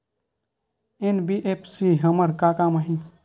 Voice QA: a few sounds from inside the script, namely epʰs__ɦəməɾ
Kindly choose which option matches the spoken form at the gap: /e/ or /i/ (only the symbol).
i